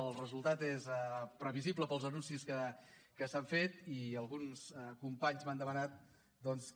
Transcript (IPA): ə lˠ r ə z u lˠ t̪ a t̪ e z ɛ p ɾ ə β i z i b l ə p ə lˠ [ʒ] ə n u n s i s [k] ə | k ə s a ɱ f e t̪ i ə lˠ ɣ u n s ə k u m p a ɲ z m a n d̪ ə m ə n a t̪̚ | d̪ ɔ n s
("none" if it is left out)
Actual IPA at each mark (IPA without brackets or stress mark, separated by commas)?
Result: z, k